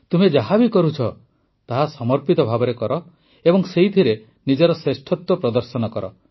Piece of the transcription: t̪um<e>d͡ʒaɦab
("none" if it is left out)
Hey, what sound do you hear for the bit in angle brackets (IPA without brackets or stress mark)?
e